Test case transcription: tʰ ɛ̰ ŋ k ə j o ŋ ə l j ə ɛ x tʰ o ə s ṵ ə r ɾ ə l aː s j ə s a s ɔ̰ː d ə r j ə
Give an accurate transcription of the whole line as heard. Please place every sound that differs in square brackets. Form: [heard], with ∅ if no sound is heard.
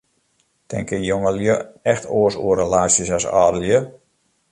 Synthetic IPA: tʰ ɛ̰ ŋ k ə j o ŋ ə l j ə ɛ x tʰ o ə s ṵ ə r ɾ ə l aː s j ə s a s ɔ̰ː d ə [l] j ə